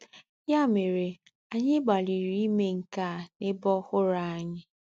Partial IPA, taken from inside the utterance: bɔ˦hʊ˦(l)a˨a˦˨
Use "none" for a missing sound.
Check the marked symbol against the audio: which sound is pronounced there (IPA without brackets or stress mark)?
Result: ɾ